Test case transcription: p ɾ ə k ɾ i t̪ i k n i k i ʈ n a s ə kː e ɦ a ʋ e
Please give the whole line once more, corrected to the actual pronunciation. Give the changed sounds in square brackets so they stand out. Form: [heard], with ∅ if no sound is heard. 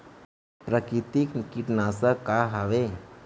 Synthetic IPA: p ɾ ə k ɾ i t̪ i k n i k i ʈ n a s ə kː [a] ɦ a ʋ e